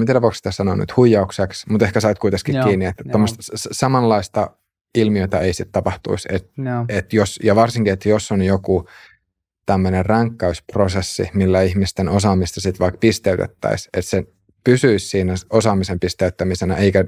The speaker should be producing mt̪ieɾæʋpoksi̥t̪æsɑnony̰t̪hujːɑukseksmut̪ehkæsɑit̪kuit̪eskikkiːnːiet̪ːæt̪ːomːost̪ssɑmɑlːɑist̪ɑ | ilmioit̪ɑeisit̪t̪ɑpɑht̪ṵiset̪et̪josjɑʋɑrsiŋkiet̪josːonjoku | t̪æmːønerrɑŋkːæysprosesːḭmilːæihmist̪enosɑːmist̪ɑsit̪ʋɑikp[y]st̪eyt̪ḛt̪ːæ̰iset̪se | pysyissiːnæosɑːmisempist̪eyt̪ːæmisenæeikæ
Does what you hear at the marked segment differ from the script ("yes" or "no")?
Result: yes